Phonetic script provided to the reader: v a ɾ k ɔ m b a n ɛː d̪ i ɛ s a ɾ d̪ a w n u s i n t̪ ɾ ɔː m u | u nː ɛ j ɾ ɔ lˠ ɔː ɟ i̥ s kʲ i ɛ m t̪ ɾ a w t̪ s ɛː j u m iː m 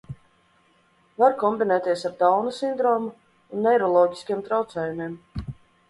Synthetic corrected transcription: v a ɾ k ɔ m b i n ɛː t̪ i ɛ s a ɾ d̪ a w n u s i n d̪ ɾ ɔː m u | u nː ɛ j ɾ ɔ lˠ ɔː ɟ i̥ s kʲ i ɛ m t̪ ɾ a w t̪ s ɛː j u m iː m